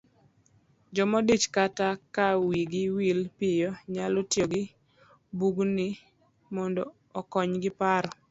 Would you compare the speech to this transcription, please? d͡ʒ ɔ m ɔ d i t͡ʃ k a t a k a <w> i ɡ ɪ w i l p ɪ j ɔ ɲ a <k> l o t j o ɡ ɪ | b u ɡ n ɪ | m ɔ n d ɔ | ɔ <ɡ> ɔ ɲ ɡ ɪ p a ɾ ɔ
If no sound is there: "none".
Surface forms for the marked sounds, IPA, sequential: w, none, k

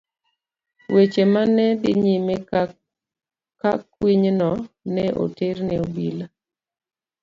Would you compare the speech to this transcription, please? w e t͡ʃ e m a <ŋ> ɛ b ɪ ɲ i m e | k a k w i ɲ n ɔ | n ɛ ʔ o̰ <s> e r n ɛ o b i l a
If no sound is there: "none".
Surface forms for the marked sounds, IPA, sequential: n, t

